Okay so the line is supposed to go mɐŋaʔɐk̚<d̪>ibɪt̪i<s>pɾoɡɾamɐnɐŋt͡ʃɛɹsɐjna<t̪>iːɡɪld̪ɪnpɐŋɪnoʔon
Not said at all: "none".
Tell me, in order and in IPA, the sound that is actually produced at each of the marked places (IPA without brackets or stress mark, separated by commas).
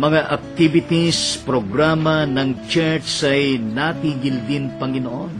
t̪, s, t̪